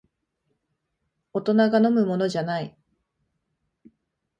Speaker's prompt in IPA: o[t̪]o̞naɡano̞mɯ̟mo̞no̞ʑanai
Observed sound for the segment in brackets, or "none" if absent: t̪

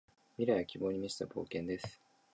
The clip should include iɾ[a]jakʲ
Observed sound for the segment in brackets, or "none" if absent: a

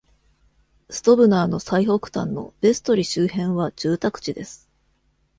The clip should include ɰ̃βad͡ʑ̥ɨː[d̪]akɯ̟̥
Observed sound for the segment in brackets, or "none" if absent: t̪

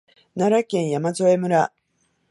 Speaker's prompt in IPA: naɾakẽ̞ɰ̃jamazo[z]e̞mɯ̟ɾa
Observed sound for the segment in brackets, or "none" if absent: none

